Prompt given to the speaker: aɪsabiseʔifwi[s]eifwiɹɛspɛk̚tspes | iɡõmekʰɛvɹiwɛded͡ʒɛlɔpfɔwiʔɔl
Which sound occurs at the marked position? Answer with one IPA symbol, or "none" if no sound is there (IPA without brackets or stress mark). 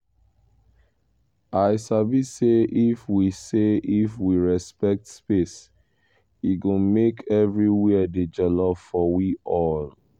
s